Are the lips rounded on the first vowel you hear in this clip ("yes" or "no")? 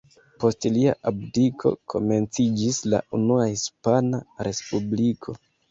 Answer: yes